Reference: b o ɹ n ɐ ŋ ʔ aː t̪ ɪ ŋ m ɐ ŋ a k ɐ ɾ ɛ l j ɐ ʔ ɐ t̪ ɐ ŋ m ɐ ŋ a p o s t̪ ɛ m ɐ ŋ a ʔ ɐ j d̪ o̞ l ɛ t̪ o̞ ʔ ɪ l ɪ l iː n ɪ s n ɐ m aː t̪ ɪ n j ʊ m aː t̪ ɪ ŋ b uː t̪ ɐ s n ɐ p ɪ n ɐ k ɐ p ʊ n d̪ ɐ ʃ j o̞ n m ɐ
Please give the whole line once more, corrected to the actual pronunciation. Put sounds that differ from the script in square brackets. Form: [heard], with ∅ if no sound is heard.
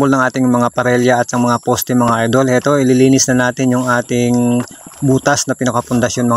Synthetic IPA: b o [l] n ɐ ŋ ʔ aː t̪ ɪ ŋ m ɐ ŋ a [p] ɐ ɾ ɛ l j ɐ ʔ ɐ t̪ ɐ ŋ m ɐ ŋ a p o s t̪ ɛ m ɐ ŋ a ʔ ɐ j d̪ o̞ l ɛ t̪ o̞ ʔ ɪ l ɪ l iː n ɪ s n ɐ [n] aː t̪ ɪ n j ʊ [ŋ] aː t̪ ɪ ŋ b uː t̪ ɐ s n ɐ p ɪ n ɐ k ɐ p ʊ n d̪ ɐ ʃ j o̞ n m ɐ

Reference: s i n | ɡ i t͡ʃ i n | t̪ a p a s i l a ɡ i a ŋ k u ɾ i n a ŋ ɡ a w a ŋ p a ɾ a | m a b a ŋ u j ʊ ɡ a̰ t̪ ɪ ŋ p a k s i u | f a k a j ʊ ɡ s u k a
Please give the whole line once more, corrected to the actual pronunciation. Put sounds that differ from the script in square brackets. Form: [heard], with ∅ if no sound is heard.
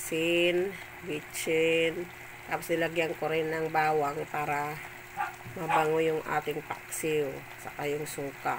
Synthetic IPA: s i n | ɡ i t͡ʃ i n | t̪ a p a s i l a ɡ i a ŋ k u ɾ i n a ŋ [b] a w a ŋ p a ɾ a | m a b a ŋ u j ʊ [ŋ] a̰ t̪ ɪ ŋ p a k s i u | [s] a k a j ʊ [ŋ] s u k a

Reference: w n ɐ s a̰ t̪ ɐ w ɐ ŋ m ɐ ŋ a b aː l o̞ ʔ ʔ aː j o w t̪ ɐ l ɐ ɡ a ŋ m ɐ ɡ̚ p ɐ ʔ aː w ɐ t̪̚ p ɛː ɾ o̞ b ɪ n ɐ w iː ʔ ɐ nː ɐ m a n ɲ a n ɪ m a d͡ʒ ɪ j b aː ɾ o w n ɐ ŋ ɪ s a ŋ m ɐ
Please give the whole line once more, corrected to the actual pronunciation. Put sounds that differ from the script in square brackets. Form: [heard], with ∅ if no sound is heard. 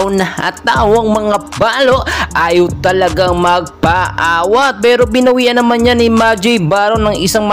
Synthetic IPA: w n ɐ [h] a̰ t̪ [a] w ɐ ŋ m ɐ ŋ a b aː l o̞ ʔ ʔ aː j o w t̪ ɐ l ɐ ɡ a ŋ m ɐ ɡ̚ p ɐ ʔ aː w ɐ t̪̚ p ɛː ɾ o̞ b ɪ n ɐ w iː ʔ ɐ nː ɐ m a n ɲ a n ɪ m a d͡ʒ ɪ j b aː ɾ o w n ɐ ŋ ɪ s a ŋ m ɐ

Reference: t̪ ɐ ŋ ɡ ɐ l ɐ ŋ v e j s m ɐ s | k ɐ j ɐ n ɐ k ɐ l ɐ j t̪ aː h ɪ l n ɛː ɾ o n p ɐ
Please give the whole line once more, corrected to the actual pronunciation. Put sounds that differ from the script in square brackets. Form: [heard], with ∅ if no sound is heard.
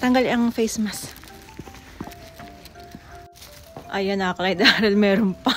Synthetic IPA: t̪ ɐ ŋ ɡ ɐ l ɐ ŋ [f] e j s m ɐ s | [ʔ] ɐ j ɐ n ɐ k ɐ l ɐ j [d̪] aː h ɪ l [m] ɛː ɾ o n p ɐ

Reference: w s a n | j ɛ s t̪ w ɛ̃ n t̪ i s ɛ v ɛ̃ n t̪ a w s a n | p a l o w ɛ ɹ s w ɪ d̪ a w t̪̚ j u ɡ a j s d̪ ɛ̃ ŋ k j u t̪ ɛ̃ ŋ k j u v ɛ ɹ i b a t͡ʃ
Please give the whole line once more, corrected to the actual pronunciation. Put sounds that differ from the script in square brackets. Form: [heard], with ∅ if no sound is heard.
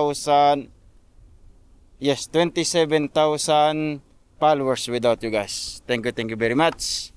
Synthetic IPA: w s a n | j ɛ s t̪ w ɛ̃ n t̪ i s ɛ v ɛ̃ n t̪ a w s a n | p a l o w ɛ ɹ s w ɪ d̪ a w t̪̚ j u ɡ a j s [t̪] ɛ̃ ŋ k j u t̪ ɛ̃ ŋ k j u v ɛ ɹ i [m] a t͡ʃ

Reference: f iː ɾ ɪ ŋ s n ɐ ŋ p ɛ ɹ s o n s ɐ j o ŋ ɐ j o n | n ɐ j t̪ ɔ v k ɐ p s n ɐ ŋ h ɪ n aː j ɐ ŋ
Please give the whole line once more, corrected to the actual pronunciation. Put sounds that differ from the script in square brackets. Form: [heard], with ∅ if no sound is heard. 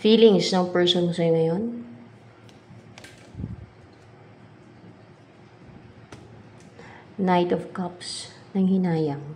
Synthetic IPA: f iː [l] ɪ ŋ s n ɐ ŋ p ɛ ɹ s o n s ɐ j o ŋ ɐ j o n | n [a] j t̪ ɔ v k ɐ p s n ɐ ŋ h ɪ n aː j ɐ ŋ

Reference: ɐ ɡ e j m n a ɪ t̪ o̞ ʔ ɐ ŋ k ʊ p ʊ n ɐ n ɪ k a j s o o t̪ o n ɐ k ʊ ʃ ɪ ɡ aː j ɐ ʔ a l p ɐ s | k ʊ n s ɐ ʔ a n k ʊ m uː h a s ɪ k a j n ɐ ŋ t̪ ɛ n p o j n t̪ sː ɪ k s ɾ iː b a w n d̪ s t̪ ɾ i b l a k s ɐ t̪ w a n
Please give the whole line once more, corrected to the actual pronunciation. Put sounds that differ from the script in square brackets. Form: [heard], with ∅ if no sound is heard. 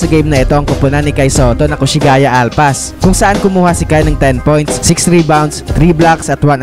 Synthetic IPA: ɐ ɡ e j m n [ɐ] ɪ t̪ o̞ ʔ ɐ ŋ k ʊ p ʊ n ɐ n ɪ k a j s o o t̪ o n ɐ k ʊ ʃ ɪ ɡ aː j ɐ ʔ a l p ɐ s | k ʊ [ŋ] s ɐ ʔ a n k ʊ m uː h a s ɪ k a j n ɐ ŋ t̪ ɛ n p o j n t̪ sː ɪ k s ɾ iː b a w n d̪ s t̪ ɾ i b l a k s ɐ t̪ w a n

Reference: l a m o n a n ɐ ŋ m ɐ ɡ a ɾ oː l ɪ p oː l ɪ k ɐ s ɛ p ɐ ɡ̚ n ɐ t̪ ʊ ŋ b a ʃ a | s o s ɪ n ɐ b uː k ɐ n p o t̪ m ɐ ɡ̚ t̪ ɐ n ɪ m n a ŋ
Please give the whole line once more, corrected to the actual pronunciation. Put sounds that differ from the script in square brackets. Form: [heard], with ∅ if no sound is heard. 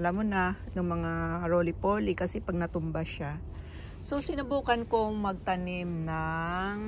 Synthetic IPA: l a m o n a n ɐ ŋ m ɐ [ŋ] a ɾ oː l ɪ p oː l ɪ k ɐ s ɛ p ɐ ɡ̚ n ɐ t̪ ʊ [m] b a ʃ a | s o s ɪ n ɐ b uː k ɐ n [k] o [∅] m ɐ ɡ̚ t̪ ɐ n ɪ m n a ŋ

